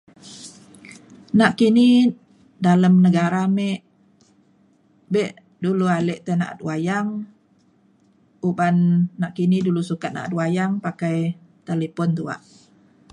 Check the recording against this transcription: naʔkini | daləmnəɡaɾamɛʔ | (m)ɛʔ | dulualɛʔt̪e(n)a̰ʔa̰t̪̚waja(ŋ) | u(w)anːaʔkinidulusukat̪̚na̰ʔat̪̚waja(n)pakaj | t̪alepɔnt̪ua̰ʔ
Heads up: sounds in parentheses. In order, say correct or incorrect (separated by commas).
incorrect, correct, correct, incorrect, incorrect